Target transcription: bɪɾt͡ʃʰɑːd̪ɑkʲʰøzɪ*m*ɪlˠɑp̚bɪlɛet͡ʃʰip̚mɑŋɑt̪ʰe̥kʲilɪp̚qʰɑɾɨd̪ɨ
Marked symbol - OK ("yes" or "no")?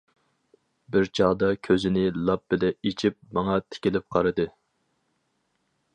no